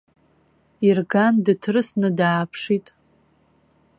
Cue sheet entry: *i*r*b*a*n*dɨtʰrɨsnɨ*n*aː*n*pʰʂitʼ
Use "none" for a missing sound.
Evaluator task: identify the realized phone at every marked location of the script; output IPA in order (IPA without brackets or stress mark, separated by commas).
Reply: i, ɡ, n, d, none